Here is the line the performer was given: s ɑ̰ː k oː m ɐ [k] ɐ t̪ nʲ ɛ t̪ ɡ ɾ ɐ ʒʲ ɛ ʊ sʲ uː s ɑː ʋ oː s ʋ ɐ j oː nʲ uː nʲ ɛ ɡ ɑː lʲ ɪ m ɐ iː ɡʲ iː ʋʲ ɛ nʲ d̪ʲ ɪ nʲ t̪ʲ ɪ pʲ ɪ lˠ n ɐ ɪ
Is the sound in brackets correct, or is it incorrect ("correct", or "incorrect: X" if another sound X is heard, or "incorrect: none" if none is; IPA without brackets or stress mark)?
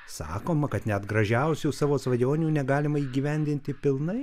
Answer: correct